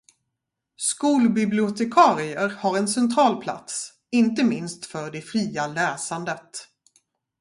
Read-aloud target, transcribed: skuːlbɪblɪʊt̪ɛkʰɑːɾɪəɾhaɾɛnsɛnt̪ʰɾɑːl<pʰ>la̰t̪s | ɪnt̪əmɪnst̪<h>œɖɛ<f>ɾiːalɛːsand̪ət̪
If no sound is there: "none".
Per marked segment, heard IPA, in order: pʰ, f, f

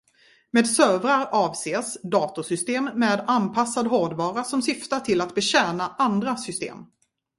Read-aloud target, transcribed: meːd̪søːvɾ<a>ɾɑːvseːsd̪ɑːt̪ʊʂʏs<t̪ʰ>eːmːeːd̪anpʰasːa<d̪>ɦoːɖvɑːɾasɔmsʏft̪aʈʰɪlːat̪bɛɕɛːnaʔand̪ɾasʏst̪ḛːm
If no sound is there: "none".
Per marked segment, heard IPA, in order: a, t̪, d̪

